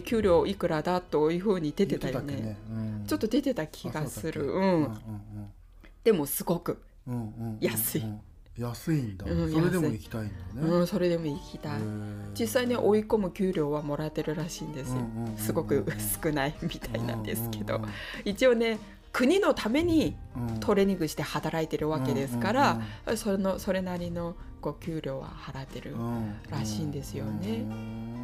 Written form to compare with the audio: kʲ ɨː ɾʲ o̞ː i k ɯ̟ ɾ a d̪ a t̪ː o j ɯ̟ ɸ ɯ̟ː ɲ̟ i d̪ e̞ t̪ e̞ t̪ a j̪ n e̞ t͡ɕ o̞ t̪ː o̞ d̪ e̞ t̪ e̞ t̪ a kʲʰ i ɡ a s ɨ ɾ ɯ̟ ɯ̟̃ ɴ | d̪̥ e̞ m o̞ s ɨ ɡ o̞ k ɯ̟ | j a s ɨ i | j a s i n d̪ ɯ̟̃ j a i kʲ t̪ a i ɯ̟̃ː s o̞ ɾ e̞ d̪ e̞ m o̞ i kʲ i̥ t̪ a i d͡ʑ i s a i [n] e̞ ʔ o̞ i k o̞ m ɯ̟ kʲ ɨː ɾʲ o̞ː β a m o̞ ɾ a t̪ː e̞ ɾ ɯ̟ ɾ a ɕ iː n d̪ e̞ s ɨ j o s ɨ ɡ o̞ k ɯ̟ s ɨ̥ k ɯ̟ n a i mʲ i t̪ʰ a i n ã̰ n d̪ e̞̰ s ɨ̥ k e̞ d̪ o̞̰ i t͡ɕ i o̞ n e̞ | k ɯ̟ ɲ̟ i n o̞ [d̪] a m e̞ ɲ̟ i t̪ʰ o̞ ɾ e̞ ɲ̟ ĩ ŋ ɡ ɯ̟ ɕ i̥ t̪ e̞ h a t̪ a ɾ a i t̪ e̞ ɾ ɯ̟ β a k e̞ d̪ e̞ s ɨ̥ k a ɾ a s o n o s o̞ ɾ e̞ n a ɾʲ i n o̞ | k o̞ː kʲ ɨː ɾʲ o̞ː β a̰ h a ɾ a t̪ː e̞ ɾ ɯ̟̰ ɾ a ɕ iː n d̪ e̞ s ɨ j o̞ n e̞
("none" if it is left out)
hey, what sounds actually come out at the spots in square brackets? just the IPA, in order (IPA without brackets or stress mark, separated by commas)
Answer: n, t̪